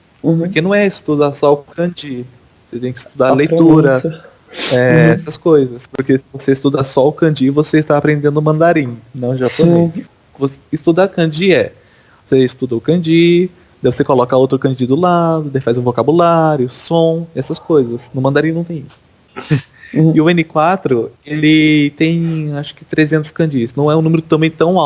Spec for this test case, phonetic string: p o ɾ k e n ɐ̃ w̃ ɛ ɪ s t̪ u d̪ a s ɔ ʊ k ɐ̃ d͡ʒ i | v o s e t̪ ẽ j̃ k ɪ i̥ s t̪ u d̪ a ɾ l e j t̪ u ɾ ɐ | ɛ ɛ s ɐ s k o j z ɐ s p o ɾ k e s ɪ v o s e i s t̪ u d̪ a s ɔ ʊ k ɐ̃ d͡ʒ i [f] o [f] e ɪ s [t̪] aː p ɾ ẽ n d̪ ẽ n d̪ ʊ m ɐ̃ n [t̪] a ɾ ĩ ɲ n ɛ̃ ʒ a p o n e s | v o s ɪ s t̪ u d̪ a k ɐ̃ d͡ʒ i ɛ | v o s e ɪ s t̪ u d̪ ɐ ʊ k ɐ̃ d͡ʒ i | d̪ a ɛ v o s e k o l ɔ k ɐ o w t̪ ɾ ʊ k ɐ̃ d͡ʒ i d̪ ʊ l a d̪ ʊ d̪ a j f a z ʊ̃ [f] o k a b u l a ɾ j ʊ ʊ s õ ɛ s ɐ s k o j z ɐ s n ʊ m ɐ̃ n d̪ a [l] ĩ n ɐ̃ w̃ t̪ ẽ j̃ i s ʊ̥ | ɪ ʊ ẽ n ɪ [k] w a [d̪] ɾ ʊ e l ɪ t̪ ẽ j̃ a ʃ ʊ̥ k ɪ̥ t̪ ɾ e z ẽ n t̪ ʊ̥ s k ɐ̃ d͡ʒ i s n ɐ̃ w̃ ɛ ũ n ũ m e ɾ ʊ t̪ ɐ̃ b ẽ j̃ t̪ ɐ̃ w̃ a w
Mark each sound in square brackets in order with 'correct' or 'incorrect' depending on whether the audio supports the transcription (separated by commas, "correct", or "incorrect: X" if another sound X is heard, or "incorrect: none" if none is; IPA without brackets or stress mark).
incorrect: v, incorrect: s, correct, incorrect: d̪, incorrect: v, incorrect: ɾ, correct, incorrect: t̪